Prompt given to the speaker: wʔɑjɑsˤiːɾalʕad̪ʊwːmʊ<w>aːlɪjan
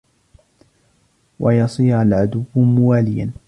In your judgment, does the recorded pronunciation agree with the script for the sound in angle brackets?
yes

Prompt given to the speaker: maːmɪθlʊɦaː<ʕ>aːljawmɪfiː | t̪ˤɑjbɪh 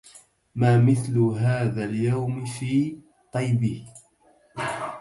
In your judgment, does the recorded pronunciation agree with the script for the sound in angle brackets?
no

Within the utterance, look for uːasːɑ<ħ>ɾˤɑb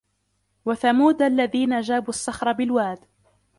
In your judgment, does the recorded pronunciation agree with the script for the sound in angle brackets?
no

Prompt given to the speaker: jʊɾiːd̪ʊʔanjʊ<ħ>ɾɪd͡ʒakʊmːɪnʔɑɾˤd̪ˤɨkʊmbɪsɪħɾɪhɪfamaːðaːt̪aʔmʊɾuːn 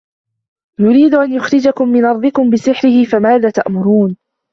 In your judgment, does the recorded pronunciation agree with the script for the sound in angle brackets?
no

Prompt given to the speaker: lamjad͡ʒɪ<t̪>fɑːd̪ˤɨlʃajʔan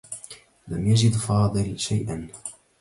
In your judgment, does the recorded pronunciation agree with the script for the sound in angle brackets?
no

